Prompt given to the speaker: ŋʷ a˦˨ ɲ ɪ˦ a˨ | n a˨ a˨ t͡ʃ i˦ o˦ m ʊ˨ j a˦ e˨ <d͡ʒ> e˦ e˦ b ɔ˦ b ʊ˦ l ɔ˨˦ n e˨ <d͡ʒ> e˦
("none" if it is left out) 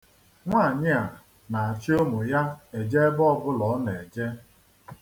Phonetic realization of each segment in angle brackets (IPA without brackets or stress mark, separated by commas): d͡ʒ, d͡ʒ